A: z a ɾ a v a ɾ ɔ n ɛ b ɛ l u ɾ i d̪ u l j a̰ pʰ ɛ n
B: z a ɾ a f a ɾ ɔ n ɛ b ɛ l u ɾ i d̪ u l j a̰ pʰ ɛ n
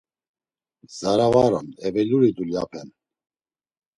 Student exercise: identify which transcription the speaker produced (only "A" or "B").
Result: A